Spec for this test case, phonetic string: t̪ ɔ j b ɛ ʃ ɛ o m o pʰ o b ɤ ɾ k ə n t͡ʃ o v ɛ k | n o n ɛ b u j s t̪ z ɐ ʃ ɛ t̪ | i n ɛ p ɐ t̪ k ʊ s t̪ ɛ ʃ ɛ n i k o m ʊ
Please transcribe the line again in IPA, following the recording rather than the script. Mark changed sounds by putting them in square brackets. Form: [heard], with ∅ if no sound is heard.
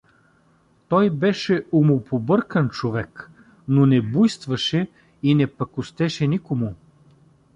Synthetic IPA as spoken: t̪ ɔ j b ɛ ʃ ɛ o m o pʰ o b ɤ ɾ k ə n t͡ʃ o v ɛ k | n o n ɛ b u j s t̪ [v] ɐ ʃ ɛ [∅] | i n ɛ p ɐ [∅] k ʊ s t̪ ɛ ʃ ɛ n i k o m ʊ